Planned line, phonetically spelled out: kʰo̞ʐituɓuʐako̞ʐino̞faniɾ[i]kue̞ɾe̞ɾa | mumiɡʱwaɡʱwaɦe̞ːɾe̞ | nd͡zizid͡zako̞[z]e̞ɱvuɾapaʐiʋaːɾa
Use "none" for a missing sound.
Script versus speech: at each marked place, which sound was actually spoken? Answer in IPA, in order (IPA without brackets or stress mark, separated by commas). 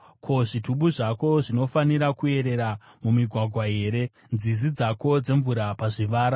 a, d͡z